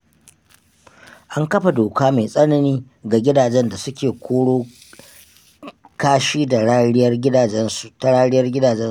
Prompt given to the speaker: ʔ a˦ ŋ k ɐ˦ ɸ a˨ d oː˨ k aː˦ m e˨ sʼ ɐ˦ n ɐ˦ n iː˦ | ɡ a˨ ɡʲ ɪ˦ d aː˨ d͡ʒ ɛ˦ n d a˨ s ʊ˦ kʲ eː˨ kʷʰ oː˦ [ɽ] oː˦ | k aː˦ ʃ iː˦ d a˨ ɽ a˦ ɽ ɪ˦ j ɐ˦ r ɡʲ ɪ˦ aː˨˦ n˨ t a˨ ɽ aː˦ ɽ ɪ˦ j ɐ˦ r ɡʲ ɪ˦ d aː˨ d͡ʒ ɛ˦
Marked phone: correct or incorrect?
correct